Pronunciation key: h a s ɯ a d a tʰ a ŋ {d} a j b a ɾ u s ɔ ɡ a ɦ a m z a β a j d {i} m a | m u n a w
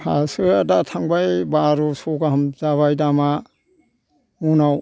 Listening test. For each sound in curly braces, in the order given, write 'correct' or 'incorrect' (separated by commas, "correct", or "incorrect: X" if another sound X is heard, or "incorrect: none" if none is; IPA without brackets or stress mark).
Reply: incorrect: b, incorrect: a